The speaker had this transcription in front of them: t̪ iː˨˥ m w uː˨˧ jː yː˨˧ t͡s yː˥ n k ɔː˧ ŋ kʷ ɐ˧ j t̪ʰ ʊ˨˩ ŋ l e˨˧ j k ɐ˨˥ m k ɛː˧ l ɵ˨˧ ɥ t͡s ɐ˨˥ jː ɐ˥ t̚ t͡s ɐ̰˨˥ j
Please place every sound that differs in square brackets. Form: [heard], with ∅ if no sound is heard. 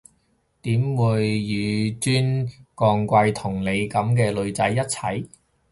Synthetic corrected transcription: t̪ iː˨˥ m w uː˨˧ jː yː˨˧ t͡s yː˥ n k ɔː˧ ŋ kʷ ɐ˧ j t̪ʰ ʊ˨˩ ŋ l e˨˧ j k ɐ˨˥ m k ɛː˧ l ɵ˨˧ ɥ t͡s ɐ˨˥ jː ɐ˥ t̚ [t͡sʰ] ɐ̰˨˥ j